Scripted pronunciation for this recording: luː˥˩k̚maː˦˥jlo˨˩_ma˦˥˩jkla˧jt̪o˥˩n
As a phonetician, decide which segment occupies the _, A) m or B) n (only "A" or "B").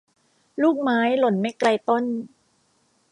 B